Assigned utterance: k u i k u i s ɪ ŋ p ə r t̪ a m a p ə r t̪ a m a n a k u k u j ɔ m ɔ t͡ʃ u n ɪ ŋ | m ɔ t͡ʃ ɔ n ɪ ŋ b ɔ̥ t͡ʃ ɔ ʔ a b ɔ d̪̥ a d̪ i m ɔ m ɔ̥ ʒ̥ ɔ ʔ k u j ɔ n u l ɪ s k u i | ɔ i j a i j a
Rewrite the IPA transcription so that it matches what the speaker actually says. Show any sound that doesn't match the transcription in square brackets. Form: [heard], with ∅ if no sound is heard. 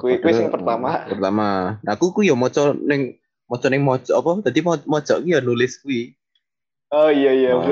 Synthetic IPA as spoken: k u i k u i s ɪ ŋ p ə r t̪ a m a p ə r t̪ a m a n a k u k u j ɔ m ɔ t͡ʃ [ɔ] n ɪ ŋ | m ɔ t͡ʃ ɔ n ɪ ŋ [m] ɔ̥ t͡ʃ ɔ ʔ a [p] ɔ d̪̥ a d̪ i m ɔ m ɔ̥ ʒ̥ ɔ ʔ k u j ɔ n u l ɪ s k u i | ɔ i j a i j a